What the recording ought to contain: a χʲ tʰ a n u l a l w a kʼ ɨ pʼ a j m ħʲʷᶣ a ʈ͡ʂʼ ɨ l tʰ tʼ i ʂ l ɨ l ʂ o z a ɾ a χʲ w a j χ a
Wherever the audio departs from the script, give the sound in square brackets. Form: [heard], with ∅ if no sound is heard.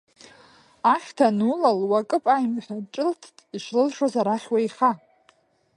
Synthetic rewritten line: a χʲ tʰ a n u l a l w a kʼ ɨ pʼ a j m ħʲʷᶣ a ʈ͡ʂʼ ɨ l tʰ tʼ i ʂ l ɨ l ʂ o z a ɾ a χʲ w a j χ a